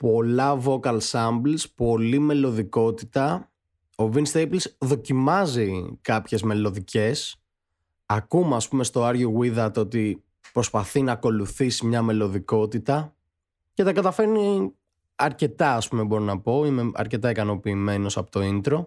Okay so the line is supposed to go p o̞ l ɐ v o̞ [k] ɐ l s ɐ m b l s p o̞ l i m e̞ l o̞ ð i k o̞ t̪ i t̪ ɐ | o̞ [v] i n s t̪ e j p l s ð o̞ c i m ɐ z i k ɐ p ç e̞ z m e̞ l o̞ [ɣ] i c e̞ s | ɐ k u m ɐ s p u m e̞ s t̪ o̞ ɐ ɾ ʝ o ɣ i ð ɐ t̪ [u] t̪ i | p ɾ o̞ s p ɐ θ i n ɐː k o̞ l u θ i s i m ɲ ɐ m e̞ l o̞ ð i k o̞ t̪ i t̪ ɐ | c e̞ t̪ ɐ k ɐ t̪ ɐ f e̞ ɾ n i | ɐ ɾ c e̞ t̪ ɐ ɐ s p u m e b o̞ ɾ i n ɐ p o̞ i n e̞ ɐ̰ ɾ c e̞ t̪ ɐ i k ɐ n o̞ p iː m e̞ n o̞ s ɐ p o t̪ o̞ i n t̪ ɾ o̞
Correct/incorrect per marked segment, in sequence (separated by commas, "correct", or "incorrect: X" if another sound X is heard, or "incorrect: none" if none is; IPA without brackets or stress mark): correct, correct, incorrect: ð, incorrect: o